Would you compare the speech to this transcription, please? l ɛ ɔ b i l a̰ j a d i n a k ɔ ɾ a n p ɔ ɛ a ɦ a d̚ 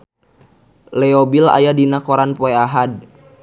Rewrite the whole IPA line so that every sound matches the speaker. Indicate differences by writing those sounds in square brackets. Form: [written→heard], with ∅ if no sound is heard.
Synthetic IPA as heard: l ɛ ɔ b i l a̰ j a d i n a k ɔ ɾ a n p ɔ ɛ a ɦ a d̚